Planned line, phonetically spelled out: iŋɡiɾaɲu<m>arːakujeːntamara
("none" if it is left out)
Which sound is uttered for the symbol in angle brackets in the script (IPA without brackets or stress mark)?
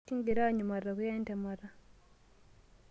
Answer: m